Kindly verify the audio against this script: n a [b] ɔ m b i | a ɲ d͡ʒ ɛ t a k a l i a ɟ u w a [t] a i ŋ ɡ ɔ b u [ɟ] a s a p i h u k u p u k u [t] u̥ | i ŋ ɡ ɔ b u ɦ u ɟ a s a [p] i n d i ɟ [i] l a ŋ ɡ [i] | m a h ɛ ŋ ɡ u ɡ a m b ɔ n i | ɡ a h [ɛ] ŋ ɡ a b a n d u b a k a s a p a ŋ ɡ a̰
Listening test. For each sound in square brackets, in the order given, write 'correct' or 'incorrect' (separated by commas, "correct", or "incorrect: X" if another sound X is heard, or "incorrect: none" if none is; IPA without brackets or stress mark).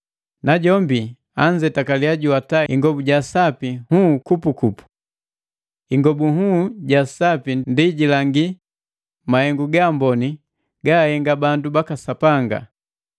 incorrect: ɟ, correct, correct, incorrect: p, correct, correct, correct, correct